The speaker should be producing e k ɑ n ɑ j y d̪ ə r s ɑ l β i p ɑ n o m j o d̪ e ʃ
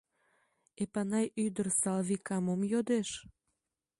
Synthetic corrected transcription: e p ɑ n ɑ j y d̪ ə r s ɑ l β i k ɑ m o m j o d̪ e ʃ